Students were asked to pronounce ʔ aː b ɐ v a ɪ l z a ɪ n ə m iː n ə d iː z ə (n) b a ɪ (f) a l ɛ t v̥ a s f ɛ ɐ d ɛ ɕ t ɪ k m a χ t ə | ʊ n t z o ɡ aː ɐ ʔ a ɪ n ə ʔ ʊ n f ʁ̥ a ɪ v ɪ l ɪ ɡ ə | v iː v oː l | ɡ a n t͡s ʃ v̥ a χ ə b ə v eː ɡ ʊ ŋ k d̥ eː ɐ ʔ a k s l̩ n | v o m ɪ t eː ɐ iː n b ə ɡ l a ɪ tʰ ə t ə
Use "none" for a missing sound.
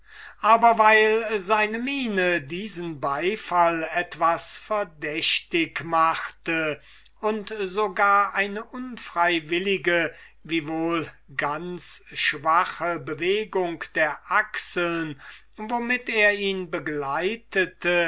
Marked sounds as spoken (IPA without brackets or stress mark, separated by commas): n, f